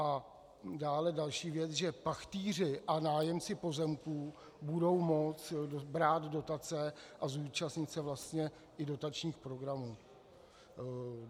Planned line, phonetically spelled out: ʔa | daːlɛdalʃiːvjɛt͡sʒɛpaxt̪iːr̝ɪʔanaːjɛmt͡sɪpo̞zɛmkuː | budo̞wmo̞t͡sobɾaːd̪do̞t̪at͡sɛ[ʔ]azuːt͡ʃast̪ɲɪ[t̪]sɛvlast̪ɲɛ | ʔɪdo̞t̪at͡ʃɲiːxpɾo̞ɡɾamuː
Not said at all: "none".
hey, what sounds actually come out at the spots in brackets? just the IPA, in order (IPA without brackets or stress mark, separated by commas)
ʔ, t̪